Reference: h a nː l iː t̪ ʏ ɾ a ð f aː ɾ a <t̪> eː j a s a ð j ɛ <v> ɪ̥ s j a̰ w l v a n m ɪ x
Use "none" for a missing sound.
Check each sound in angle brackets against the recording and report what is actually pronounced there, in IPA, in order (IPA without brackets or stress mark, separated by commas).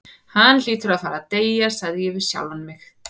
t̪, v